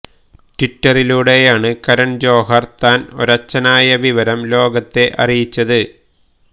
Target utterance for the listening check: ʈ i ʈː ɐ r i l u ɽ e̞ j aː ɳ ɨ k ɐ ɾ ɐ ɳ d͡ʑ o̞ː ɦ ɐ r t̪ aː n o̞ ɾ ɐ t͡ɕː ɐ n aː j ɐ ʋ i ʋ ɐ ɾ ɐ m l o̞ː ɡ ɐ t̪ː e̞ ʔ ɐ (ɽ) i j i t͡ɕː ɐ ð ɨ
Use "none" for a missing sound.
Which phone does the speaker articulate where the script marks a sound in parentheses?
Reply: r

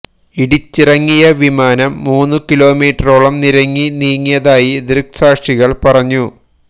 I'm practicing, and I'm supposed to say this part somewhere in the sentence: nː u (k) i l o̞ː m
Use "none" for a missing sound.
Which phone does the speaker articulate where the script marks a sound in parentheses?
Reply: k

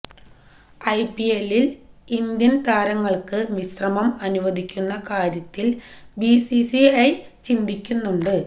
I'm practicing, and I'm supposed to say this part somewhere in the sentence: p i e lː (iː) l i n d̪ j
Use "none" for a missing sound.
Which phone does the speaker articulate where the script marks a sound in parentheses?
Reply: i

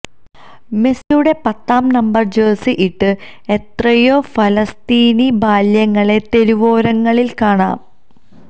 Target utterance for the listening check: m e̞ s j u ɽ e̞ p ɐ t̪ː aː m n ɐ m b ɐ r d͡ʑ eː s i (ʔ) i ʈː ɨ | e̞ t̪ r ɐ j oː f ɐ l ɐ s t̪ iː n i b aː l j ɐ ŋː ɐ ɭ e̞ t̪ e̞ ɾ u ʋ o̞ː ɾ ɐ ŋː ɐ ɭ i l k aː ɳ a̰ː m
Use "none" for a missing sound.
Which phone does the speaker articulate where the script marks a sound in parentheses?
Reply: ʔ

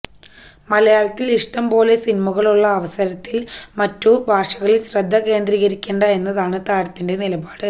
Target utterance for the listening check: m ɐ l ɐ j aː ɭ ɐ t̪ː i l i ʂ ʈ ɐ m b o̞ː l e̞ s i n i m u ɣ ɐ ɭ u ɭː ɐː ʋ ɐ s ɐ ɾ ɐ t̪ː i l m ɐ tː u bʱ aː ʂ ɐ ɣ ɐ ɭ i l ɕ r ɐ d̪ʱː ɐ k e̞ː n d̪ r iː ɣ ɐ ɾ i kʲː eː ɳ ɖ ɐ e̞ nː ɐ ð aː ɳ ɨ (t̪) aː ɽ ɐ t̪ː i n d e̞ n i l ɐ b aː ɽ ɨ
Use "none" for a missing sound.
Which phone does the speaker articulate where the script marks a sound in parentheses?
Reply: t̪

